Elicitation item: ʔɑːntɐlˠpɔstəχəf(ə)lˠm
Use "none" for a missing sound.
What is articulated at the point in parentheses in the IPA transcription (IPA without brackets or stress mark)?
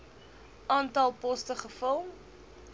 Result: ə